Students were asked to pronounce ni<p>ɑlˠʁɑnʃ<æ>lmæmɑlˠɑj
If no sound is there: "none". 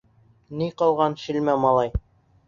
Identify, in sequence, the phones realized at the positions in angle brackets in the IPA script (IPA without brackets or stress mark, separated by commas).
q, i